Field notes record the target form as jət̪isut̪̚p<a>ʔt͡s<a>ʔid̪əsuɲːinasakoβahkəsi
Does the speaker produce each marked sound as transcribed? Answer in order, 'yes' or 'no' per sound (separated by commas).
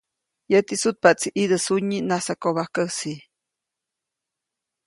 yes, no